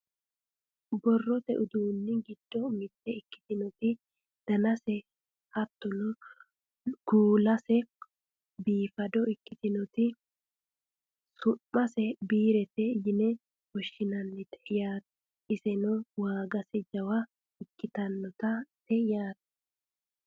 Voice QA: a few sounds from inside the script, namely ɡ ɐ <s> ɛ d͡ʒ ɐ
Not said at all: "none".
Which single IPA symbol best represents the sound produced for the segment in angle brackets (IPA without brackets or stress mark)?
s